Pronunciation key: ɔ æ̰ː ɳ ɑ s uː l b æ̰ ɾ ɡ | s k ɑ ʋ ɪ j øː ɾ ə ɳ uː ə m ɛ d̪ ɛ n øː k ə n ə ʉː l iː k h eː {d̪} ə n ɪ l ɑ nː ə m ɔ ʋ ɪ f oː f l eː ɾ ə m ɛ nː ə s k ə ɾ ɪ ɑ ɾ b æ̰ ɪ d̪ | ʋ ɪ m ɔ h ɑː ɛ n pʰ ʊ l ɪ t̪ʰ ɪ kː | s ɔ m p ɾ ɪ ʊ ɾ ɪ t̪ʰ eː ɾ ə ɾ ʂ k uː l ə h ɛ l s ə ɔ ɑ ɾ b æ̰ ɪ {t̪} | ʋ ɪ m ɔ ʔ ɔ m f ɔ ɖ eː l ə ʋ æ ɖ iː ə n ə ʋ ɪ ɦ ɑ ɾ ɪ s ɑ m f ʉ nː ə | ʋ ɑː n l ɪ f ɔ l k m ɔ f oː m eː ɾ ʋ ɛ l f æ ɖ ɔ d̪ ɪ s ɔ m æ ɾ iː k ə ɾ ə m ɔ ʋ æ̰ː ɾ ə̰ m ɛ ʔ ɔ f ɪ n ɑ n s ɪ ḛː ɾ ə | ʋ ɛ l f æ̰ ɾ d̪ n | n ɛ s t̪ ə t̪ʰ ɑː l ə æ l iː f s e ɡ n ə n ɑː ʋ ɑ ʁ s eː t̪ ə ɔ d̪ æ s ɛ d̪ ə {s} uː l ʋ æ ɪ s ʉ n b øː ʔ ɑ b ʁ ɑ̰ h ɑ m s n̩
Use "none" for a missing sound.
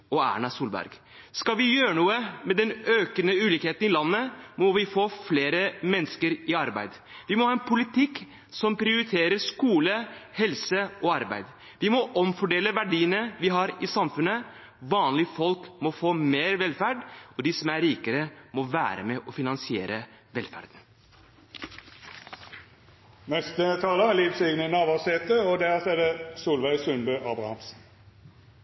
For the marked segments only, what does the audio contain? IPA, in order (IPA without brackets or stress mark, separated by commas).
t̪, d̪, s